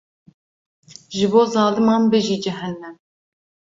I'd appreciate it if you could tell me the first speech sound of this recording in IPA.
ʒ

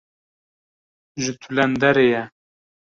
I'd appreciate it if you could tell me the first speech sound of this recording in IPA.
ʒ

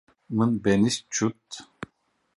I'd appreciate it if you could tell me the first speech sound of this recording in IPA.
m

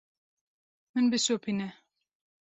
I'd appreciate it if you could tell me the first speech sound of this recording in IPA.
m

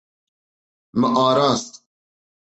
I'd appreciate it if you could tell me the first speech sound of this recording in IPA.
m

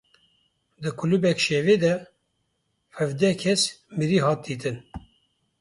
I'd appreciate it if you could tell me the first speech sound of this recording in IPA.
d̪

